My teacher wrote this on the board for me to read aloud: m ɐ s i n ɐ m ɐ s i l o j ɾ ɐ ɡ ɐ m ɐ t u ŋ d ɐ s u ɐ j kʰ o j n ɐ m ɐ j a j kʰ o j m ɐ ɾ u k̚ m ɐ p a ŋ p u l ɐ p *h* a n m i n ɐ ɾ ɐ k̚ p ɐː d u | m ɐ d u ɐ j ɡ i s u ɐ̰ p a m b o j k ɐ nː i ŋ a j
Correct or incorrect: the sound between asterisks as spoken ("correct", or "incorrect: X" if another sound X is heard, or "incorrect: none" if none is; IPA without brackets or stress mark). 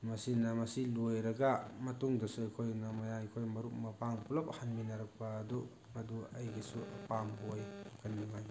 correct